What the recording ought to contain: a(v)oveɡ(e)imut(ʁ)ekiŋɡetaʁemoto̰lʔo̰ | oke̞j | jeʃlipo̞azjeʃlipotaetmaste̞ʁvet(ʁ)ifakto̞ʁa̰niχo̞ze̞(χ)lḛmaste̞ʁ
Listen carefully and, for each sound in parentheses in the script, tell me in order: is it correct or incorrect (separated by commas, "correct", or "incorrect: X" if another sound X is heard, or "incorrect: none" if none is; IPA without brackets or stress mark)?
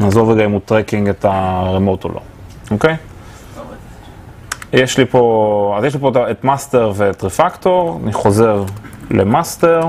incorrect: z, incorrect: a, correct, correct, incorrect: ʁ